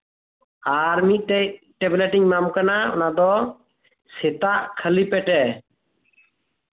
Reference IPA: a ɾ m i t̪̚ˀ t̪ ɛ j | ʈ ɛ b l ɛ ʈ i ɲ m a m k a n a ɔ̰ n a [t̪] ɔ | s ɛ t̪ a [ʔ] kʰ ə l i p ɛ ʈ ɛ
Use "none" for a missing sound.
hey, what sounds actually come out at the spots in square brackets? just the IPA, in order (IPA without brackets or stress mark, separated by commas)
d̪, ʔ